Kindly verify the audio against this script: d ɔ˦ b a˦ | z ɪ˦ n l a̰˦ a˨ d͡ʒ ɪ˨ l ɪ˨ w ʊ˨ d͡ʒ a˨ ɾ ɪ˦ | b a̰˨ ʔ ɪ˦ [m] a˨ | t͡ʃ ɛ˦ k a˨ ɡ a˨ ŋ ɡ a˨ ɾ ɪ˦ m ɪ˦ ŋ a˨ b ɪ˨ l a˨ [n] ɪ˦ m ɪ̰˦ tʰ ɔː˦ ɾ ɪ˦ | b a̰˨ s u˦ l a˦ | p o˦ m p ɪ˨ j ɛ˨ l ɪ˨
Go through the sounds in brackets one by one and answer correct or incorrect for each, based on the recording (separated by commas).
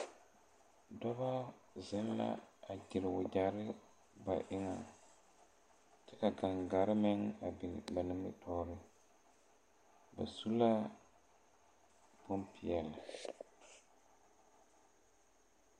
incorrect, correct